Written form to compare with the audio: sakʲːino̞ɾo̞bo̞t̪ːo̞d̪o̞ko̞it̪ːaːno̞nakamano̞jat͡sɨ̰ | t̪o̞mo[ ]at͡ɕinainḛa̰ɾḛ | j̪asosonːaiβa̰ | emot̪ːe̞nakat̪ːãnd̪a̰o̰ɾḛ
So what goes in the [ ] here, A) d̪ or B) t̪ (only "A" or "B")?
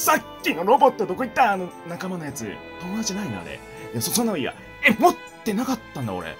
A